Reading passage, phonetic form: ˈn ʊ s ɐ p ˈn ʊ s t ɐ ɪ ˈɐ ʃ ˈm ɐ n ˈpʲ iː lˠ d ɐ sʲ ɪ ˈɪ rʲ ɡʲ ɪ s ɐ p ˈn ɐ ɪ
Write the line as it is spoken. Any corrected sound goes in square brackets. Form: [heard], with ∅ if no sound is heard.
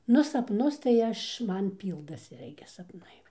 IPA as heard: ˈn ʊ s ɐ p ˈn ʊ s t ɐ ɪ ˈɐ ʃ ˈm ɐ n ˈpʲ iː lˠ d ɐ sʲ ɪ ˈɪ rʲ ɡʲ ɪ s ɐ p ˈn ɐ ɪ

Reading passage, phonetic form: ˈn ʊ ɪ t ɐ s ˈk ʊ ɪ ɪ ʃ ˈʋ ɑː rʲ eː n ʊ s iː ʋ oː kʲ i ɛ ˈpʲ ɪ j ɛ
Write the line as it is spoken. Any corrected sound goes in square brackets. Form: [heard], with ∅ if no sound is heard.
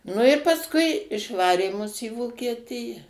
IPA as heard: ˈn ʊ ɪ [p] ɐ s ˈk ʊ ɪ ɪ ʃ ˈʋ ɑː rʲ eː [m] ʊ s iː ʋ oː kʲ i ɛ [ˈtʲ] ɪ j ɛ

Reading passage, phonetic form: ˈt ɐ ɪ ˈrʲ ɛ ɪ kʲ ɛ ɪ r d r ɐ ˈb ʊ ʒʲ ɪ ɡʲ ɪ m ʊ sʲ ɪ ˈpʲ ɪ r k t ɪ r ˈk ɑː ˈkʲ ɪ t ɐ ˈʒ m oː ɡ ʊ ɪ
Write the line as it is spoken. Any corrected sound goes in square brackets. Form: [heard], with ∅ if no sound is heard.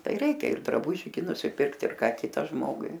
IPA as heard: ˈt ɐ ɪ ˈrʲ ɛ ɪ kʲ ɛ ɪ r d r ɐ ˈb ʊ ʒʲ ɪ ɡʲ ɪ [n] ʊ sʲ ɪ ˈpʲ ɪ r k t ɪ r ˈk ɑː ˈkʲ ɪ t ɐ ˈʒ m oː ɡ ʊ ɪ

